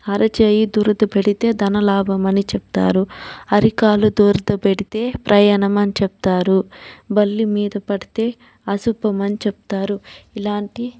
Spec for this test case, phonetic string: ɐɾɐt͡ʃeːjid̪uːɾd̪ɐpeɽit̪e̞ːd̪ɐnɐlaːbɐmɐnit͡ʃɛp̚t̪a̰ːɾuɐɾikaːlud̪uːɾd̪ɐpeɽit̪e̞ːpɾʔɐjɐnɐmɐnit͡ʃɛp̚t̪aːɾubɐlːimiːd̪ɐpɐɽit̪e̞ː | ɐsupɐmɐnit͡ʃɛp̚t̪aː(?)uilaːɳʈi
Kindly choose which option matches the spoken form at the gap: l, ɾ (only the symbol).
ɾ